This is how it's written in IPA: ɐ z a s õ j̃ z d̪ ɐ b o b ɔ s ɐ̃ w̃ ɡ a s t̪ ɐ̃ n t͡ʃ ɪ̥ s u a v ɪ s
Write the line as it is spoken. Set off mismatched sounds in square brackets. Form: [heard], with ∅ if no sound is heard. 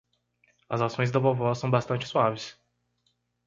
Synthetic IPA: ɐ z a s õ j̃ z d̪ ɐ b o [v] ɔ s ɐ̃ w̃ [b] a s t̪ ɐ̃ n t͡ʃ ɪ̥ s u a v ɪ s